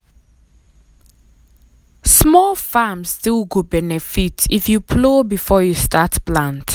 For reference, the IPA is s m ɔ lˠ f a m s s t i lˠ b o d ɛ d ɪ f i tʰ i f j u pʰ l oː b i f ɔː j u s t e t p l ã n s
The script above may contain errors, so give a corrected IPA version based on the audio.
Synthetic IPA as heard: s m ɔ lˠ f a m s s t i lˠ ɡ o b ɛ n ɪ f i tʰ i f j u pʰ l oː b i f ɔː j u s t a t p l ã n t

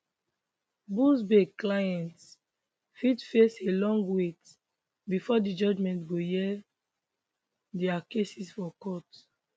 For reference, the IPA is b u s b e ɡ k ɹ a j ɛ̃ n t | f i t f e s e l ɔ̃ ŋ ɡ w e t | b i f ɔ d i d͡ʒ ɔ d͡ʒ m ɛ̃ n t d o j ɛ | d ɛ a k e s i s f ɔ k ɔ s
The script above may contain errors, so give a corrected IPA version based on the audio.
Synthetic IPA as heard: b u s b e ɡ k l a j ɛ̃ n t | f i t f e s e l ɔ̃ ŋ ɡ w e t | b i f ɔ d i d͡ʒ ɔ d͡ʒ m ɛ̃ n t ɡ o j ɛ | d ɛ a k e s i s f ɔ k ɔ t

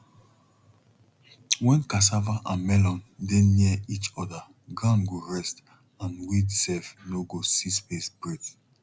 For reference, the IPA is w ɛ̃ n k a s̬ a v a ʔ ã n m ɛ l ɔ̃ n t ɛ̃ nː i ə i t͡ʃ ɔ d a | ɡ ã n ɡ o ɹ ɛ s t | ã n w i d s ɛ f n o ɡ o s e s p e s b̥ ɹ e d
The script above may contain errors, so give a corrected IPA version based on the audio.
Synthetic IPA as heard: w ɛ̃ n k a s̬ a v a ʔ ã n m ɛ l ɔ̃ n d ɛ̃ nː i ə i t͡ʃ ɔ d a | ɡ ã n ɡ o ɹ ɛ s t | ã n w i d s ɛ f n o ɡ o s i s p e s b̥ ɹ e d

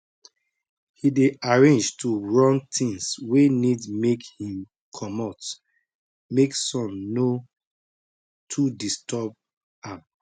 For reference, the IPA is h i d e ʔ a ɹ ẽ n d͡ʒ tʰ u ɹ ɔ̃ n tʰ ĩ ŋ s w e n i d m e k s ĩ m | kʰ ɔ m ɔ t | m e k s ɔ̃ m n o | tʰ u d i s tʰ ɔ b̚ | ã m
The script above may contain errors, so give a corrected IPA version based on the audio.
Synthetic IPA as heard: h i d e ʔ a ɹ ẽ n d͡ʒ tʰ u ɹ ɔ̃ n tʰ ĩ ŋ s w e n i d m e k h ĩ m | kʰ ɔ m ɔ t | m e k s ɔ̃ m n o | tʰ u d i s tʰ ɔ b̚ | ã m

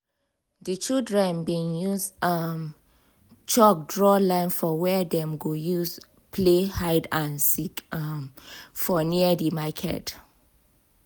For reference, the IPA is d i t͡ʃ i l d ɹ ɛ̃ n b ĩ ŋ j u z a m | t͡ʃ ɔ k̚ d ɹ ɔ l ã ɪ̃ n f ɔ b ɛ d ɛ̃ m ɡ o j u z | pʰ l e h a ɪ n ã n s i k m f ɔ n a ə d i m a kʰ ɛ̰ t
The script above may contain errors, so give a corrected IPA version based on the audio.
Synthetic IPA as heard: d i t͡ʃ i l d ɹ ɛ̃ n b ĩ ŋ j u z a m | t͡ʃ ɔ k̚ d ɹ ɔ l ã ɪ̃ n f ɔ w ɛ d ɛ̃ m ɡ o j u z | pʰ l e h a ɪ d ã n s i k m f ɔ n i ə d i m a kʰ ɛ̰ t

